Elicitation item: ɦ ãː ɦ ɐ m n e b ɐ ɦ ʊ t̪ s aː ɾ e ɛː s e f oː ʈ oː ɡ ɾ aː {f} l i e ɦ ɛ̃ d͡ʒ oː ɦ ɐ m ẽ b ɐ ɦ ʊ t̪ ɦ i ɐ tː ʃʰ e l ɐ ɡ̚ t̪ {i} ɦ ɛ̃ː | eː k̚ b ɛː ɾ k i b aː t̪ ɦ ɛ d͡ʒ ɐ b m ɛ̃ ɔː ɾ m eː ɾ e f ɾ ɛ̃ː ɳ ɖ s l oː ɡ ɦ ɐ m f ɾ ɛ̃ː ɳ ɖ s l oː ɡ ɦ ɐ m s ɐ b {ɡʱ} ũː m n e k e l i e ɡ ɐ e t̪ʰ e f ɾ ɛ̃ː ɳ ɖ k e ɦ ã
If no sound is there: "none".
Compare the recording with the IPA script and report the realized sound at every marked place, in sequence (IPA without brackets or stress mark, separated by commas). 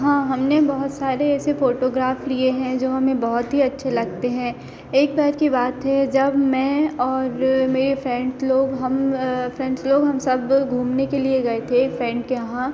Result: f, e, ɡʱ